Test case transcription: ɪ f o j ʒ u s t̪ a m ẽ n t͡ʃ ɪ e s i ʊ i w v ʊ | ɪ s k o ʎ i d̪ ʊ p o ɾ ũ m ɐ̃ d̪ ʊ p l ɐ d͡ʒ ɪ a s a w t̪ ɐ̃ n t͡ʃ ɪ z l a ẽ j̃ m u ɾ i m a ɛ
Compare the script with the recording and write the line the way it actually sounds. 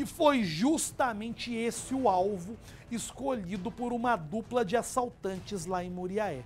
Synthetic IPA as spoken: ɪ f o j ʒ u s t̪ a m ẽ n t͡ʃ ɪ e s ɪ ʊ a w v ʊ | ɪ s k o ʎ i d̪ ʊ p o ɾ ũ m ɐ d̪ u p l ɐ d͡ʒ ɪ a s a w t̪ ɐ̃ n t͡ʃ ɪ z l a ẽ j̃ m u ɾ i a ɛ